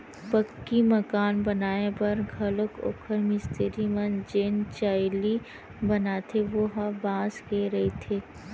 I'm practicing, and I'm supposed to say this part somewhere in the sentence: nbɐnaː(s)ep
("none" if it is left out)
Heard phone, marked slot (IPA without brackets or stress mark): none